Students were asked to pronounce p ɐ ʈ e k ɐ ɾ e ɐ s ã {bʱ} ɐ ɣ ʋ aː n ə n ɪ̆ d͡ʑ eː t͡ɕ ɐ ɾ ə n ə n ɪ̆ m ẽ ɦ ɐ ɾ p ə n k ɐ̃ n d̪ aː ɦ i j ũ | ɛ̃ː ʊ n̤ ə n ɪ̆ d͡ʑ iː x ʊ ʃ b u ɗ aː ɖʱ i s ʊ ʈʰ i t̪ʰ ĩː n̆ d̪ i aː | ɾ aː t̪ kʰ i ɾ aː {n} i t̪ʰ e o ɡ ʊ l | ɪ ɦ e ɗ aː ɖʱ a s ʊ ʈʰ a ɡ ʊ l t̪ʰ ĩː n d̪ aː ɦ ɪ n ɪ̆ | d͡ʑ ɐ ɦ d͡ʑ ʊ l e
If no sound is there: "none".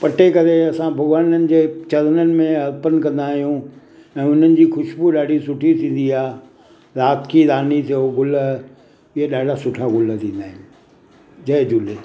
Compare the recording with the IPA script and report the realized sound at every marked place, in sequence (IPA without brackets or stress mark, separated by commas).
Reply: bʱ, n